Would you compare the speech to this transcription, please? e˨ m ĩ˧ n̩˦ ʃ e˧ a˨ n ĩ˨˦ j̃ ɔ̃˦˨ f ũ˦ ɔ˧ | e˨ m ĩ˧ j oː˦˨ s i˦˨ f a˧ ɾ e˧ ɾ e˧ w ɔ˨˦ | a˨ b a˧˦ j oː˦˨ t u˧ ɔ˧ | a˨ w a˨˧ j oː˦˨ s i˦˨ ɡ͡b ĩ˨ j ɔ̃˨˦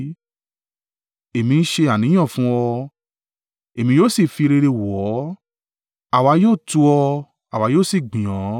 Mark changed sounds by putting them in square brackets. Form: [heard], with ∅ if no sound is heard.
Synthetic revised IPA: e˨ m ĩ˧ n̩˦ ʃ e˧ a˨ n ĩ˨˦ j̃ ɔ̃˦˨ f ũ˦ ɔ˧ | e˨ m ĩ˧ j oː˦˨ s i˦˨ f [i˧] ɾ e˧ ɾ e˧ w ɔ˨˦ | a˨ [w] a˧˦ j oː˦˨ t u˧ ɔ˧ | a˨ w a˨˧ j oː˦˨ s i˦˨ ɡ͡b ĩ˨ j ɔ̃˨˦